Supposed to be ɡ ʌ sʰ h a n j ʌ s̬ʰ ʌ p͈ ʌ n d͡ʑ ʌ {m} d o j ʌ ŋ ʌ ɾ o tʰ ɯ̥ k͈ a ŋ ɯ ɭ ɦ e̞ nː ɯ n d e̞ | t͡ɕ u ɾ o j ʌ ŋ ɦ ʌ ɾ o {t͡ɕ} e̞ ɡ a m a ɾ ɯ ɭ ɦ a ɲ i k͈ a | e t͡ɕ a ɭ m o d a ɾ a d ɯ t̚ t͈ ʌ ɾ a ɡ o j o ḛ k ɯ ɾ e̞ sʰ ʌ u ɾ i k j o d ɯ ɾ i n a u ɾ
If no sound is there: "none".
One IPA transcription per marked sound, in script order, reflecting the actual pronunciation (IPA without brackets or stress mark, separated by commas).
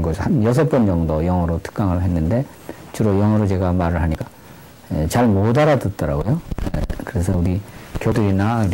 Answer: ŋ, t͡ɕ